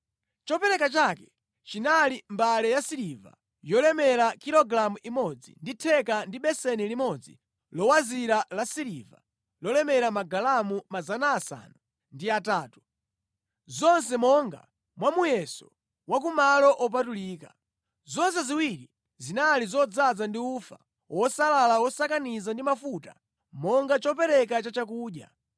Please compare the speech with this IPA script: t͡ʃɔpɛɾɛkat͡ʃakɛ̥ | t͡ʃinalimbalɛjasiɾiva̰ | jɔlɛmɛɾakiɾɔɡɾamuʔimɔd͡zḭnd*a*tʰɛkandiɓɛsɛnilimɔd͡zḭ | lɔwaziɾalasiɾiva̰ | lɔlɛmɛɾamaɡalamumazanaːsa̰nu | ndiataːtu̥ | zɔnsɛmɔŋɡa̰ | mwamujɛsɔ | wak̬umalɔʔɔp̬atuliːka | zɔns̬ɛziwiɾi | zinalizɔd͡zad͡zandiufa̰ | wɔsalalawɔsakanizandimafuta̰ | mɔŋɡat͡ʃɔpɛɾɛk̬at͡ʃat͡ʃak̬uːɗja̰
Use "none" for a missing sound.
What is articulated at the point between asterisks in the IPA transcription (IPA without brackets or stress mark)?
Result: i